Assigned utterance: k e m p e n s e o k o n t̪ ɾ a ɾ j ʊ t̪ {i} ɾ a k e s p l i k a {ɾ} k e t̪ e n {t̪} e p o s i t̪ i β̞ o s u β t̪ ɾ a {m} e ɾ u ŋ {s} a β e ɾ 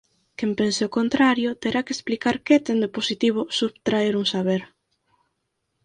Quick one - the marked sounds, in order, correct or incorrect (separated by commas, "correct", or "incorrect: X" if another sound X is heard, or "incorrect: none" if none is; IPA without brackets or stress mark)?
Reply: incorrect: e, correct, incorrect: d̪, incorrect: none, correct